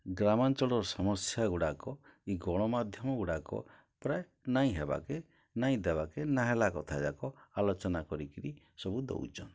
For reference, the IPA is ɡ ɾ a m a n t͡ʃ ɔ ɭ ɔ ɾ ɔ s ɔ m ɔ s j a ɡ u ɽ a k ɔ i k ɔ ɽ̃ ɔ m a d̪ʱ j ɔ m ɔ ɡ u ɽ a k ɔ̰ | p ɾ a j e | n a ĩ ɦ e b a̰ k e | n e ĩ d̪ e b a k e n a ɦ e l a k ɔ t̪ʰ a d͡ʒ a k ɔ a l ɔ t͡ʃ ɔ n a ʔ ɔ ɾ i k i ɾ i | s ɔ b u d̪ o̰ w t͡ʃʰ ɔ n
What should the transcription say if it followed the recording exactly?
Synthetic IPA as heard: ɡ ɾ a m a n t͡ʃ ɔ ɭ ɔ ɾ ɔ s ɔ m ɔ s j a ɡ u ɽ a k ɔ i ɡ ɔ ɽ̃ ɔ m a d̪ʱ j ɔ m ɔ ɡ u ɽ a k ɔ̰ | p ɾ a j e | n a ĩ ɦ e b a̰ k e | n a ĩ d̪ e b a k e n a ɦ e l a k ɔ t̪ʰ a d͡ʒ a k ɔ a l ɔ t͡ʃ ɔ n a k ɔ ɾ i k i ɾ i | s ɔ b u d̪ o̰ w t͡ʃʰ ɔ n

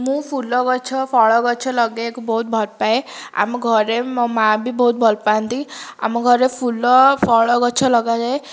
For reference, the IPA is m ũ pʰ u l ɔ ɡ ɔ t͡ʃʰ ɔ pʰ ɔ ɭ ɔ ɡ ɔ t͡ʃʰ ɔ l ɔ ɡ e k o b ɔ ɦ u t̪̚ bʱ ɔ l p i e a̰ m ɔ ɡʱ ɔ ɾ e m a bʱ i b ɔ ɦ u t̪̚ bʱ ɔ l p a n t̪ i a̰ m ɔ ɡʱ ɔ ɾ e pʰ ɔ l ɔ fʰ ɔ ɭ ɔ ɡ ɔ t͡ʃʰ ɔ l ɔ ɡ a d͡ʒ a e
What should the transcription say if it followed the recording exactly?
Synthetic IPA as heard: m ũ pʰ u l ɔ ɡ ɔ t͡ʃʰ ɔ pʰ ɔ ɭ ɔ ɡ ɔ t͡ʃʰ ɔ l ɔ ɡ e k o b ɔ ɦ u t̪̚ bʱ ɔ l p a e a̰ m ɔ ɡʱ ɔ ɾ e m a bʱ i b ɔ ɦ u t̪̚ bʱ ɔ l p a n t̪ i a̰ m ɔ ɡʱ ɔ ɾ e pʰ u l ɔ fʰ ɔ ɭ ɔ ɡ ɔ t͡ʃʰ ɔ l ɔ ɡ a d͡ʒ a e

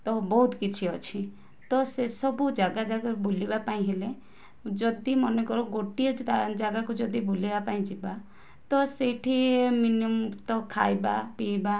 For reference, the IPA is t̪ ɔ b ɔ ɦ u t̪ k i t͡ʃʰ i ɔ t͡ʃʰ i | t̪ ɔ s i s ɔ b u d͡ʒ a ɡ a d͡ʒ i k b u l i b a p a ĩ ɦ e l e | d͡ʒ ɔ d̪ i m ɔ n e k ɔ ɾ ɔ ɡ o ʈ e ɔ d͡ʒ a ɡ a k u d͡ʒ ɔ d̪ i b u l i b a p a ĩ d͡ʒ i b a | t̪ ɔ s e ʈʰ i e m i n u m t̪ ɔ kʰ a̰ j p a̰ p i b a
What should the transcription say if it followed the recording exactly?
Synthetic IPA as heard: t̪ ɔ b ɔ ɦ u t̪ k i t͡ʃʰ i ɔ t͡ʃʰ i | t̪ ɔ s e s ɔ b u d͡ʒ a ɡ a d͡ʒ a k b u l i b a p a ĩ ɦ e l e | d͡ʒ ɔ d̪ i m ɔ n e k ɔ ɾ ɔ ɡ o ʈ i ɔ d͡ʒ a ɡ a k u d͡ʒ ɔ d̪ i b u l i b a p a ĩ d͡ʒ i b a | t̪ ɔ s e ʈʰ i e m i n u m t̪ ɔ kʰ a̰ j b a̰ p i b a

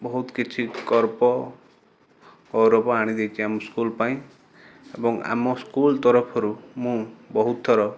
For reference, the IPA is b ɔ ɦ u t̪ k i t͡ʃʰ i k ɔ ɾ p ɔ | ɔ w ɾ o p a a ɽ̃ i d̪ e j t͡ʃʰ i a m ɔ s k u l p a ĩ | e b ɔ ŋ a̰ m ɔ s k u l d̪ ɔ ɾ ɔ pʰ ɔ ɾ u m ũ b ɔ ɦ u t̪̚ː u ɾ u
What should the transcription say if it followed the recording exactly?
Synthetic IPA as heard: b ɔ ɦ u t̪ k i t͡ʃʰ i k ɔ ɾ p ɔ | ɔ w ɾ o p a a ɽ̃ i d̪ e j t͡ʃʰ i a m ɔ s k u l p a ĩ | e b ɔ ŋ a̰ m ɔ s k u l t̪ ɔ ɾ ɔ pʰ ɔ ɾ u m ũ b ɔ ɦ u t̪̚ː ɔ ɾ ɔ

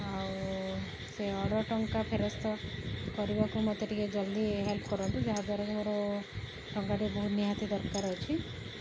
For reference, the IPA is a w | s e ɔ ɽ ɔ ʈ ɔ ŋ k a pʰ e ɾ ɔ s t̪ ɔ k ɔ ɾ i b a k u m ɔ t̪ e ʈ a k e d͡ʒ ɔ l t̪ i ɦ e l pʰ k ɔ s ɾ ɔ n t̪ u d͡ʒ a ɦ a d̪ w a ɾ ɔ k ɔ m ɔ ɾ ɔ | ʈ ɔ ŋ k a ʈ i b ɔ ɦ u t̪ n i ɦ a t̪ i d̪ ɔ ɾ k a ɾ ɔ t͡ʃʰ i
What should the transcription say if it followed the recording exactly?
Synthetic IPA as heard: a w | s e ɔ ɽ ɔ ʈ ɔ ŋ k a pʰ e ɾ ɔ s t̪ ɔ k ɔ ɾ i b a k u m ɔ t̪ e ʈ i k e d͡ʒ ɔ l d̪ i ɦ e l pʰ k ɔ ɾ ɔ n t̪ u d͡ʒ a ɦ a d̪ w a ɾ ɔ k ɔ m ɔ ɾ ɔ | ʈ ɔ ŋ k a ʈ i b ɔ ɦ u t̪ n i ɦ a t̪ i d̪ ɔ ɾ k a ɾ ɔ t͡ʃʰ i

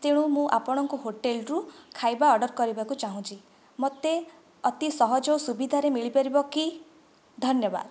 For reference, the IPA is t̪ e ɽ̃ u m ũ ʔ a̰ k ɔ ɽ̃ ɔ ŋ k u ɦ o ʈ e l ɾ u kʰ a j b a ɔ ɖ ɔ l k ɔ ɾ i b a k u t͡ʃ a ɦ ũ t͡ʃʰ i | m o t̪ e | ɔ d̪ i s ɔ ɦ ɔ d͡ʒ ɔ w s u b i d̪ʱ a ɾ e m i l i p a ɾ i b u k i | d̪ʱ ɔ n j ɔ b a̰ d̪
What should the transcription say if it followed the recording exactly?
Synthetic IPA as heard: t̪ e ɽ̃ u m ũ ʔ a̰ p ɔ ɽ̃ ɔ ŋ k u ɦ o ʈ e l ɾ u kʰ a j b a ɔ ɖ ɔ ɾ k ɔ ɾ i b a k u t͡ʃ a ɦ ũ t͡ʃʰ i | m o t̪ e | ɔ t̪ i s ɔ ɦ ɔ d͡ʒ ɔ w s u b i d̪ʱ a ɾ e m i ɭ i p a ɾ i b ɔ k i | d̪ʱ ɔ n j ɔ b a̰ d̪

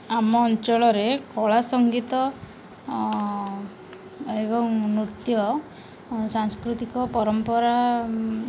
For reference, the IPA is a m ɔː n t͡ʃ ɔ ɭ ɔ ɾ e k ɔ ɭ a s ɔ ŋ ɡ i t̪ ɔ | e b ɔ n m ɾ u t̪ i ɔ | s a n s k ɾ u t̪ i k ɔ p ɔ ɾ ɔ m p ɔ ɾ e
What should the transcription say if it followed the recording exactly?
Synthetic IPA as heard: a m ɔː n t͡ʃ ɔ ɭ ɔ ɾ e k ɔ ɭ a s ɔ ŋ ɡ i t̪ ɔ | e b ɔ ŋ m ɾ u t̪ j ɔ | s a ŋ s k ɾ u t̪ i k ɔ p ɔ ɾ ɔ m p ɔ ɾ a

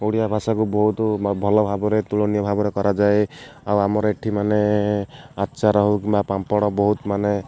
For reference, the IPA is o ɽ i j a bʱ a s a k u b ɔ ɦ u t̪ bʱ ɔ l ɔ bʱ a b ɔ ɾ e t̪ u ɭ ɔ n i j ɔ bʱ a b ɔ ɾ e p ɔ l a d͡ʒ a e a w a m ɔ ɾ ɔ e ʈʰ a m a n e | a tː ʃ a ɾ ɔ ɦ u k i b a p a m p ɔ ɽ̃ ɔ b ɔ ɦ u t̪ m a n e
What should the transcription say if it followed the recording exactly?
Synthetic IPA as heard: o ɽ i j a bʱ a s a k u b ɔ ɦ u t̪ bʱ ɔ l ɔ bʱ a b ɔ ɾ e t̪ u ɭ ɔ n i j ɔ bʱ a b ɔ ɾ e k ɔ ɾ a d͡ʒ a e a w a m ɔ ɾ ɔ e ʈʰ i m a n e | a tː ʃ a ɾ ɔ ɦ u k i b a p a m p ɔ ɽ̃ ɔ b ɔ ɦ u t̪ m a n e

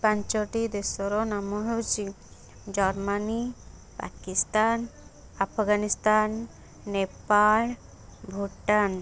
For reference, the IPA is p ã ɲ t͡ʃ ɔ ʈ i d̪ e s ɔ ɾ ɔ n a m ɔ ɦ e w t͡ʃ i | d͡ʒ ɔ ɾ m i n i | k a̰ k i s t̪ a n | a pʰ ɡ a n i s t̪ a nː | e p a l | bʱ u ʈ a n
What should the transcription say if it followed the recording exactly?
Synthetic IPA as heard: p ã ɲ t͡ʃ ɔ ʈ i d̪ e s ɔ ɾ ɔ n a m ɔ ɦ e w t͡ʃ i | d͡ʒ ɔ ɾ m a n i | p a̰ k i s t̪ a n | a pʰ ɡ a n i s t̪ a nː | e p a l | bʱ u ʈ a n

